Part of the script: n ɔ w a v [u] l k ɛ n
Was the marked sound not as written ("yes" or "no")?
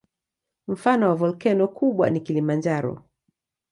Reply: yes